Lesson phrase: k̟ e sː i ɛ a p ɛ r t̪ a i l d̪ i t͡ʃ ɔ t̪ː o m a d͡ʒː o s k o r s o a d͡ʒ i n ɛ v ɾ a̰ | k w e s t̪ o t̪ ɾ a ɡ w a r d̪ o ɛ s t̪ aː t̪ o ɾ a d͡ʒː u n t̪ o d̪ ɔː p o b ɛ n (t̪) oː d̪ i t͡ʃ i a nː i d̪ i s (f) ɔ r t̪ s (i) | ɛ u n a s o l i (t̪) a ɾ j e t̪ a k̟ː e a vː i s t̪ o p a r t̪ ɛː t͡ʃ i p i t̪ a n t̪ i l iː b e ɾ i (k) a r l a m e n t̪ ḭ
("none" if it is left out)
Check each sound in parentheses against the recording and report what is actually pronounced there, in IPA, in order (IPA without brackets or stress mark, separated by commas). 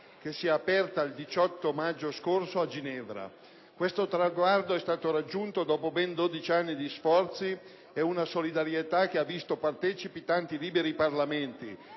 d̪, f, i, d̪, p